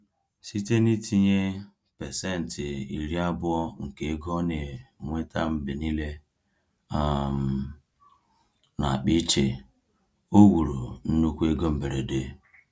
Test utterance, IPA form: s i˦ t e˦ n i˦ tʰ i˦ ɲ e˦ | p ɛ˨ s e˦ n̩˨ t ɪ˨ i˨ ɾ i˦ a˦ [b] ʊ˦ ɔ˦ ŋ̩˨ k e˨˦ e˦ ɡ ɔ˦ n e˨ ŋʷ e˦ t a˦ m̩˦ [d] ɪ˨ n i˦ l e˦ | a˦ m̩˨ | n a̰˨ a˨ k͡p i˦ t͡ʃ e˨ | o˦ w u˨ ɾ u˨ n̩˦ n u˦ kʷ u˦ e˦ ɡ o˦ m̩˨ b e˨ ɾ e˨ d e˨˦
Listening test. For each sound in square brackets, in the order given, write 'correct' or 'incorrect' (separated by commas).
correct, incorrect